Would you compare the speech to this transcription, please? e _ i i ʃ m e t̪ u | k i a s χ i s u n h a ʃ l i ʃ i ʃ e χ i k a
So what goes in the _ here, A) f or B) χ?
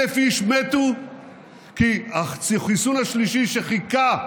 A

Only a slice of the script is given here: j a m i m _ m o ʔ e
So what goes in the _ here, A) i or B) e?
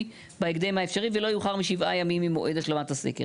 A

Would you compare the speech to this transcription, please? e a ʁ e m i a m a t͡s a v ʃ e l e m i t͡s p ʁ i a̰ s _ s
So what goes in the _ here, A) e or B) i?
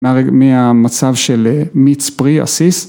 B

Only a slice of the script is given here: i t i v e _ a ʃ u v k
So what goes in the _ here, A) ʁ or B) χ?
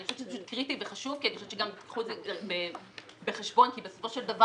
B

